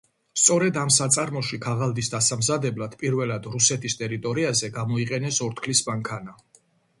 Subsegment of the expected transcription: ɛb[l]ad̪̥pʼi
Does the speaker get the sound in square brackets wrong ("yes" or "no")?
no